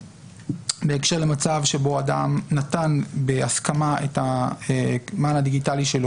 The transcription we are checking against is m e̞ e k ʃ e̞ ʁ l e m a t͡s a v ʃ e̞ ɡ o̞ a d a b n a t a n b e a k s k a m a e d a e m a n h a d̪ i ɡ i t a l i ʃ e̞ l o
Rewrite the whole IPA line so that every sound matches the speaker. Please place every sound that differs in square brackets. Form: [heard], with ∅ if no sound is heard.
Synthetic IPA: [b] e̞ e k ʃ e̞ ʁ l e m a t͡s a v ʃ e̞ [b] o̞ a d a [m] n a t a n b e a [∅] s k a m a e [t] a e m a n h a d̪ i ɡ i t a l i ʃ e̞ l o